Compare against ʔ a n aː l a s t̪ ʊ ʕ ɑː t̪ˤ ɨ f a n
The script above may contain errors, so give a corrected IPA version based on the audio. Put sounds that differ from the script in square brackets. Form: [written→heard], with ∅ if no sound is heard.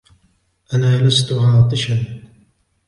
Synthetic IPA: ʔ a n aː l a s t̪ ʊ ʕ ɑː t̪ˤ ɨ [f→ʃ] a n